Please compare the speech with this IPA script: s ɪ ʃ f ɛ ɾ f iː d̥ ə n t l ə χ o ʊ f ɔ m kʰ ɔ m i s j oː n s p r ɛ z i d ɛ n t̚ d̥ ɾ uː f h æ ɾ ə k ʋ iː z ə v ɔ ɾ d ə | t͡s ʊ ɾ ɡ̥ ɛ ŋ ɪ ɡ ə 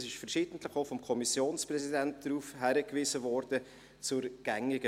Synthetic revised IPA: s ɪ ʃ f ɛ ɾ ʃ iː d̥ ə n t l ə χ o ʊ f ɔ m kʰ ɔ m i s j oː n s p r ɛ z i d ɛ n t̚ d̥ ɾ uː f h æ ɾ ə k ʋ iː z ə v ɔ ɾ d ə | t͡s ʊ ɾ ɡ̥ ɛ ŋ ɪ ɡ ə